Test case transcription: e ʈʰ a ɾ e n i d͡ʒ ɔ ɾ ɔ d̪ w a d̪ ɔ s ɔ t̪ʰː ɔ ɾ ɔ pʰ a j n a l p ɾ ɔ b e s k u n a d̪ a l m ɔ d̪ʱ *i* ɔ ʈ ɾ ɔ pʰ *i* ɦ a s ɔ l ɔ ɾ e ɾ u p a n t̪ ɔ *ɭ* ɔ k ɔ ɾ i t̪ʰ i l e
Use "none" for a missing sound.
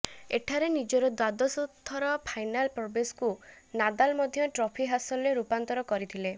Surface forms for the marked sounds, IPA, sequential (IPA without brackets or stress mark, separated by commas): j, i, ɾ